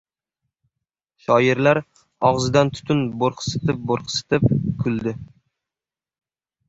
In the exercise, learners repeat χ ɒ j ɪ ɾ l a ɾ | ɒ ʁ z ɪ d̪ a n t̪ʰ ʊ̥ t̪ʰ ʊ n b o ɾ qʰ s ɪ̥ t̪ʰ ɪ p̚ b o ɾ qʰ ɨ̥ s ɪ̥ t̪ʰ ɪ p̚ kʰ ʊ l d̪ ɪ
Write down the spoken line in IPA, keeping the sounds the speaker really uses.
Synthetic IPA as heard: ʃ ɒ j ɪ ɾ l a ɾ | ɒ ʁ z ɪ d̪ a n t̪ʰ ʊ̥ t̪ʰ ʊ n b o ɾ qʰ s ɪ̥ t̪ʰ ɪ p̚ b o ɾ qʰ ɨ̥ s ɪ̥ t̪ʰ ɪ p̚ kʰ ʊ l d̪ ɪ